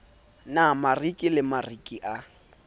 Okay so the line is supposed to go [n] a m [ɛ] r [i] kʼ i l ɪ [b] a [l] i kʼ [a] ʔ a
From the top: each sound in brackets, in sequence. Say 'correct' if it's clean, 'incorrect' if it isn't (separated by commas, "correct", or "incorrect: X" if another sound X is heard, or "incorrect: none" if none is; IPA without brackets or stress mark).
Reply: correct, incorrect: a, correct, incorrect: m, incorrect: r, incorrect: i